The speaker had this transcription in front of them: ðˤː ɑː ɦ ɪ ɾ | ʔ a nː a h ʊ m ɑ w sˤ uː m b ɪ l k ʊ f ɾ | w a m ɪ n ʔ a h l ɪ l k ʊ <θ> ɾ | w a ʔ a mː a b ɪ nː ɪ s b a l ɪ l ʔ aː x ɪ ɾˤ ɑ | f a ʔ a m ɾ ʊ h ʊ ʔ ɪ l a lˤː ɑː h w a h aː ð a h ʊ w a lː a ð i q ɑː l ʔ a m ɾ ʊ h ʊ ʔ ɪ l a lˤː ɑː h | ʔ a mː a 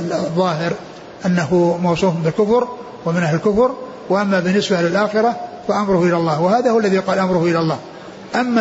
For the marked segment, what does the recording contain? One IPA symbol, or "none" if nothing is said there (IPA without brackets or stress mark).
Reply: f